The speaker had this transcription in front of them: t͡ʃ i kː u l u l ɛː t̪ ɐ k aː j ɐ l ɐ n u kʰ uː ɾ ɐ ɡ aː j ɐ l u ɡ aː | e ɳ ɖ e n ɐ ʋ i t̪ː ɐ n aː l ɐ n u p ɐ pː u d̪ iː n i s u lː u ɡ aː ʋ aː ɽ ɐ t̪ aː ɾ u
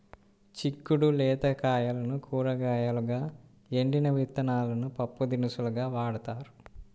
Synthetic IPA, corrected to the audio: t͡ʃ i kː u ɽ u l ɛː t̪ ɐ k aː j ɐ l ɐ n u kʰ uː ɾ ɐ ɡ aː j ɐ l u ɡ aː | e ɳ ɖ i n ɐ ʋ i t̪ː ɐ n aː l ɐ n u p ɐ pː u d̪ i n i s u l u ɡ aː ʋ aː ɽ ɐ t̪ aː ɾ u